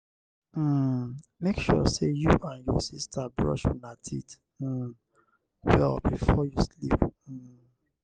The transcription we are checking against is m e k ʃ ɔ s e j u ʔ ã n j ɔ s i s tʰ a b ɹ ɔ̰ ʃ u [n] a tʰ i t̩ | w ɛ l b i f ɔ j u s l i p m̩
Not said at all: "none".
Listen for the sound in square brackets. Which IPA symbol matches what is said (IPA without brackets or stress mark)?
n